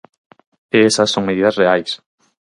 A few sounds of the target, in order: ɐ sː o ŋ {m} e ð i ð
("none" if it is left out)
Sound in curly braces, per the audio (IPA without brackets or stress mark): m